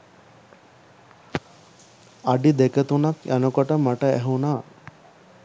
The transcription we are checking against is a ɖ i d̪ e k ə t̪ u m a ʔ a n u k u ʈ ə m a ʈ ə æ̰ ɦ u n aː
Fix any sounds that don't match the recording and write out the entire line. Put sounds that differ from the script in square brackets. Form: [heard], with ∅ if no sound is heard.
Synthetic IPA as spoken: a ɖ i d̪ e k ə t̪ u [n] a [k] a n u k [o] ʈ ə m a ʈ ə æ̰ ɦ u n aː